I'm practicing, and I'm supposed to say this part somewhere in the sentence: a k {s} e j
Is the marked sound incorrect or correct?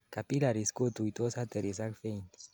incorrect